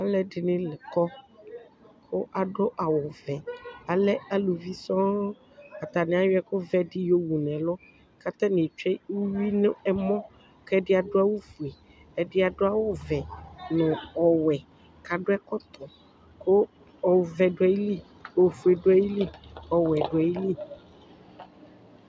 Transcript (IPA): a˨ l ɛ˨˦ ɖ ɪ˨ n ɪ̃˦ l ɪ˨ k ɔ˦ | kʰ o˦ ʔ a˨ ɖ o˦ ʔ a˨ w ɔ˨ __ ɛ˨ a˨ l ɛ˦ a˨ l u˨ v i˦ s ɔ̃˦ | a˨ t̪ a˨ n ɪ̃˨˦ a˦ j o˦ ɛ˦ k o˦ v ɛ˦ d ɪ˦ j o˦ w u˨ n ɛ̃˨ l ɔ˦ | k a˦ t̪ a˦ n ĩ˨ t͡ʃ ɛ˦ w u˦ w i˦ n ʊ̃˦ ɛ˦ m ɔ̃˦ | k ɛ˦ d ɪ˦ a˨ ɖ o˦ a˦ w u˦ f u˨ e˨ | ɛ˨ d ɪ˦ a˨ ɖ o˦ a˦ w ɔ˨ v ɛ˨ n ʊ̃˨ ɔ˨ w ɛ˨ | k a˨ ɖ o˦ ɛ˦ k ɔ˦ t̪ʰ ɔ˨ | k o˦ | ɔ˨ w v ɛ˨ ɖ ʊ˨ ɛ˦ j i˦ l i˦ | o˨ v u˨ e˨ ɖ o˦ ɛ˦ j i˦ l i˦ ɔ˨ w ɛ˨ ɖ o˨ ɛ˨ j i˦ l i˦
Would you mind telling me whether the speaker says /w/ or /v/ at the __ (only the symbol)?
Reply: v